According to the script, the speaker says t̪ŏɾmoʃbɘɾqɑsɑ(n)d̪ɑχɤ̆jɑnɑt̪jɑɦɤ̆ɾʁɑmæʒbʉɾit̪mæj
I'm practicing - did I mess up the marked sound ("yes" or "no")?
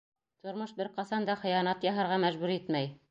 no